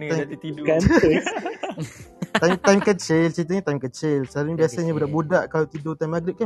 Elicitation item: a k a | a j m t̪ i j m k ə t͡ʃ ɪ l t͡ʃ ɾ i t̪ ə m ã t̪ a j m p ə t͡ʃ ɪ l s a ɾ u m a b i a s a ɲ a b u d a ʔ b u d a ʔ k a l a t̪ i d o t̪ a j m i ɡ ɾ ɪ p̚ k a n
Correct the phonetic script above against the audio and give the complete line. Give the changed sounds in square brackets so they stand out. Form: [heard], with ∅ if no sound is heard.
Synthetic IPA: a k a | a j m t̪ [a] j m k ə t͡ʃ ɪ l t͡ʃ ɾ i t̪ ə [ɲ] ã t̪ a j m [k] ə t͡ʃ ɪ l s a ɾ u [ɲ] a b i a s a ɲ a b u d a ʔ b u d a ʔ k a l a t̪ i d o t̪ a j m [a] ɡ ɾ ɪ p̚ k a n